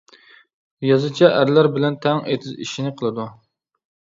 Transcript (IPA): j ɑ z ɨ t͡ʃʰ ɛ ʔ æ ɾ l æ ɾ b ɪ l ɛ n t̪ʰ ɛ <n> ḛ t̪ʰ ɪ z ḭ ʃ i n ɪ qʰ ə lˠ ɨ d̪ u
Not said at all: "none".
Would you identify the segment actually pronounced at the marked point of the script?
ŋ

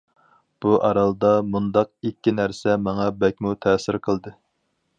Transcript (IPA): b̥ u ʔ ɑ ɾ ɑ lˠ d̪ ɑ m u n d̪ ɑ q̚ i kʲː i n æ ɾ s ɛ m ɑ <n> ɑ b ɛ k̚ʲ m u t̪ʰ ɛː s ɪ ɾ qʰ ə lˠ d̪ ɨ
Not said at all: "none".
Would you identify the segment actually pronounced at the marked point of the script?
ŋ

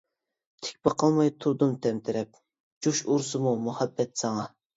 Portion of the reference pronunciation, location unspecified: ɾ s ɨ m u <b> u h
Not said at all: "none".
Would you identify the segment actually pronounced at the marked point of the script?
m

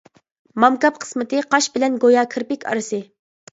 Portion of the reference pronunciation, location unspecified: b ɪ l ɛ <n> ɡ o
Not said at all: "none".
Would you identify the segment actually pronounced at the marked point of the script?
n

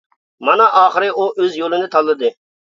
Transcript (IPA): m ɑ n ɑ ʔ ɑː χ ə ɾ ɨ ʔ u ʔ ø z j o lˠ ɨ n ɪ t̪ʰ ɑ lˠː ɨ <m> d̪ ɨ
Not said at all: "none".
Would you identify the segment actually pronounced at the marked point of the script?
none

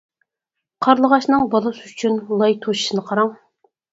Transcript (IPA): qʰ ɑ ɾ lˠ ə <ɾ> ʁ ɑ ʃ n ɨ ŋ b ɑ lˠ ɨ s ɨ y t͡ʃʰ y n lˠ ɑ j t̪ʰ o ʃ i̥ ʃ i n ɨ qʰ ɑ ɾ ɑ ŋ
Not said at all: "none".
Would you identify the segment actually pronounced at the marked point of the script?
none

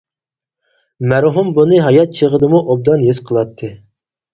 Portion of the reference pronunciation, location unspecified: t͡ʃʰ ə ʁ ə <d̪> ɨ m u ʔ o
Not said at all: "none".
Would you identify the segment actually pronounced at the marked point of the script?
d̪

